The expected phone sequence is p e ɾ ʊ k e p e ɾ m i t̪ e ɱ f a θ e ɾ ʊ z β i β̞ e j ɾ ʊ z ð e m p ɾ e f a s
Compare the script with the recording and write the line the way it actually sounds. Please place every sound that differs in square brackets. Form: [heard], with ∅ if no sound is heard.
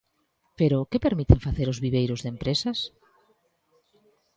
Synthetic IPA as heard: p e ɾ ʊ k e p e ɾ m i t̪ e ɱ f a θ e ɾ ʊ z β i β̞ e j ɾ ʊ z ð e m p ɾ e [s] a s